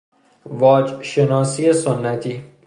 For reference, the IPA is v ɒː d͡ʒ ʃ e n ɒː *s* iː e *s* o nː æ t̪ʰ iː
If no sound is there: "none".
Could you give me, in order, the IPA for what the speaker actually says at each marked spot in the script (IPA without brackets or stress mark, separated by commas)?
s, s